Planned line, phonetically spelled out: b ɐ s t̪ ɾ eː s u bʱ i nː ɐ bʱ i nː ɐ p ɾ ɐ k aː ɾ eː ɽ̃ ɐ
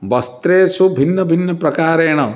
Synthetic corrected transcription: b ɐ s t̪ ɾ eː s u bʱ i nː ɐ bʱ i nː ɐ p ɾ ɐ k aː ɾ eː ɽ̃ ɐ